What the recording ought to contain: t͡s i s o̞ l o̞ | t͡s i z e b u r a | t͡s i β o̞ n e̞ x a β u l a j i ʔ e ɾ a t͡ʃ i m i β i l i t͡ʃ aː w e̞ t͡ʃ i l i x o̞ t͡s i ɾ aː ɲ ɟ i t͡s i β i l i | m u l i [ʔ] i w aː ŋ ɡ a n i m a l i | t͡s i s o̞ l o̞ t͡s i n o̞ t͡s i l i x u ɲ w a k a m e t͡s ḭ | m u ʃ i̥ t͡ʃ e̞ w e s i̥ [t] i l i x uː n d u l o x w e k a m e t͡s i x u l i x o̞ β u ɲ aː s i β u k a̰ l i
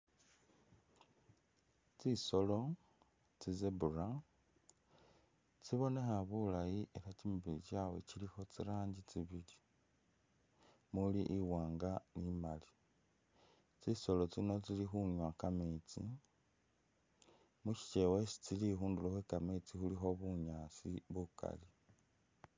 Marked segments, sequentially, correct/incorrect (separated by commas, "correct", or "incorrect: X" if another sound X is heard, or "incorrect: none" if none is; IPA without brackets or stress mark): correct, incorrect: t͡s